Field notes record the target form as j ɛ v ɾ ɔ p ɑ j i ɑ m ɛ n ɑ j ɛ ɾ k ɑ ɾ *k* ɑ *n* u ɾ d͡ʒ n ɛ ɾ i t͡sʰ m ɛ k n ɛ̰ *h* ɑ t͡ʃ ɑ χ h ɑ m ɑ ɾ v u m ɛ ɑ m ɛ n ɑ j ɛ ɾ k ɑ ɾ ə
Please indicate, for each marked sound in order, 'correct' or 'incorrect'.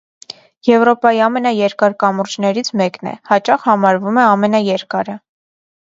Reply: correct, incorrect: m, correct

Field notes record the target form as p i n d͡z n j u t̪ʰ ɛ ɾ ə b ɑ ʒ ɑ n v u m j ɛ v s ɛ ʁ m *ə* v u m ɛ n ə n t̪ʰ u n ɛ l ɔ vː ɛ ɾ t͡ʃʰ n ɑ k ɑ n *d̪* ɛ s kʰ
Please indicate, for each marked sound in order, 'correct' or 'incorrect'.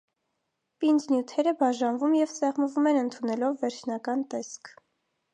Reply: correct, incorrect: t̪

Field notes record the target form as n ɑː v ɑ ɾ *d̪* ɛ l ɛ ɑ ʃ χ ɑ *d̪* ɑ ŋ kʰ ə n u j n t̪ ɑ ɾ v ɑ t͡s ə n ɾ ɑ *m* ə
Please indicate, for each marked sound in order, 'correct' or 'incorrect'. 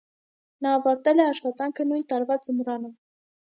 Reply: incorrect: t̪, incorrect: t̪, incorrect: n

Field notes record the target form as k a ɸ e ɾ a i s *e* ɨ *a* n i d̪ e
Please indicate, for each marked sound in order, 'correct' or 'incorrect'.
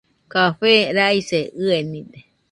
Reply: correct, incorrect: e

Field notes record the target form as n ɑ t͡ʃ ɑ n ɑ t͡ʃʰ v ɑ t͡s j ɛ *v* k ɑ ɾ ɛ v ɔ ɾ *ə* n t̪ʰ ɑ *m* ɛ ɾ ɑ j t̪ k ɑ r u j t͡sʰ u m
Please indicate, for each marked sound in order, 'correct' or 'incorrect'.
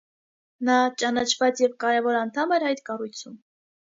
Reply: correct, incorrect: ɑ, correct

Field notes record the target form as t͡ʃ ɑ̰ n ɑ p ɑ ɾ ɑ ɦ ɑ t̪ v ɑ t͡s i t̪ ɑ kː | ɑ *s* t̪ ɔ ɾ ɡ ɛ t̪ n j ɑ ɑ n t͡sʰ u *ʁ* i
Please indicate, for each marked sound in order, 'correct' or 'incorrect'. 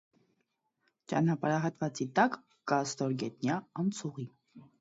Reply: correct, correct

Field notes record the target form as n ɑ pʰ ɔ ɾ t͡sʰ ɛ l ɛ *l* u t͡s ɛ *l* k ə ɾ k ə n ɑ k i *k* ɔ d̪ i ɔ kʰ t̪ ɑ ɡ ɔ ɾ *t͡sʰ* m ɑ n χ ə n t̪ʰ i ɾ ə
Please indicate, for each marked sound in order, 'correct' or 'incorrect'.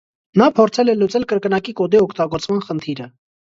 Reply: correct, correct, correct, incorrect: t͡s

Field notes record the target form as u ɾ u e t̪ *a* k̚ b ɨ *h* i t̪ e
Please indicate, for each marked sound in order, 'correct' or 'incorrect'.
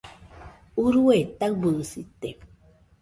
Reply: correct, incorrect: s

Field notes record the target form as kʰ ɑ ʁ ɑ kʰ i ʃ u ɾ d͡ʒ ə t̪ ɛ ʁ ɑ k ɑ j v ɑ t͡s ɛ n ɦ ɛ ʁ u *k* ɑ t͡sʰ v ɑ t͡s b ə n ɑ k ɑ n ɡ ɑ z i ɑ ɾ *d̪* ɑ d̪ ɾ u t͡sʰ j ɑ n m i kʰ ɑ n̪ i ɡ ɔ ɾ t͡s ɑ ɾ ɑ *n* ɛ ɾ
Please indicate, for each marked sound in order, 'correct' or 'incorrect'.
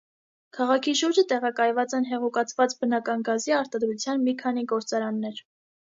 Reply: correct, incorrect: t̪, incorrect: nː

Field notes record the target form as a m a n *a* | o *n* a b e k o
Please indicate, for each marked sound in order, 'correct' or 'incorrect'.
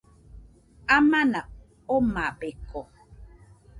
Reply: correct, incorrect: m

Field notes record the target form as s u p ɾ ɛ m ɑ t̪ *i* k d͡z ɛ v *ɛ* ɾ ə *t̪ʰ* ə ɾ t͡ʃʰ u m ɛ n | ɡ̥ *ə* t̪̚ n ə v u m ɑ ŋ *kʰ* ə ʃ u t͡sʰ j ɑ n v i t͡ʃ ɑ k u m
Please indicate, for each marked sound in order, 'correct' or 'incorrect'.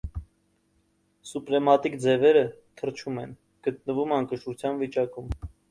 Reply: correct, correct, correct, correct, incorrect: k

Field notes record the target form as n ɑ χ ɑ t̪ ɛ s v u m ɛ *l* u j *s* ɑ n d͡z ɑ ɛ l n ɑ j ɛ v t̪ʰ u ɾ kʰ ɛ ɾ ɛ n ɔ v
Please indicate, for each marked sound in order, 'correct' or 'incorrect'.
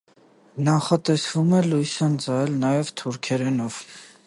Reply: correct, correct

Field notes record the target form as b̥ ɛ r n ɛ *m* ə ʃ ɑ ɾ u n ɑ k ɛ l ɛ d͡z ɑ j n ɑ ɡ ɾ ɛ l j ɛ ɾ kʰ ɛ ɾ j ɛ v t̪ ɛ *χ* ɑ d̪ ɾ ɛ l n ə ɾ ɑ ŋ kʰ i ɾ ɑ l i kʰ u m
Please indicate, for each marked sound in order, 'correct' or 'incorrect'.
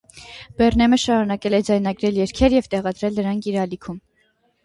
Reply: correct, incorrect: ʁ

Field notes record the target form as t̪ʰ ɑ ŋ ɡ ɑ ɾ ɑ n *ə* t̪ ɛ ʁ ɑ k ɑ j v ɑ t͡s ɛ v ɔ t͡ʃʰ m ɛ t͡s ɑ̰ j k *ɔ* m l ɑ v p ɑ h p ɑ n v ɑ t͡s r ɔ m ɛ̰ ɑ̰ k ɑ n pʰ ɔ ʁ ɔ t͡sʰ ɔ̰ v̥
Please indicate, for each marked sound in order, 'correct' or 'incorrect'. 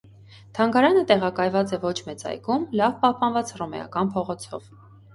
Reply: correct, incorrect: u

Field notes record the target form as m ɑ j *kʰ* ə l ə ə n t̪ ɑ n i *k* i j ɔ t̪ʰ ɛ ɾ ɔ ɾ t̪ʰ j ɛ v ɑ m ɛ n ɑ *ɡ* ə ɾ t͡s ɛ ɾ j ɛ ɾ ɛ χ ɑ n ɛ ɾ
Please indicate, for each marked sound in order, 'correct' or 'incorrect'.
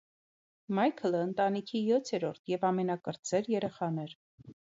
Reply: correct, incorrect: kʰ, incorrect: k

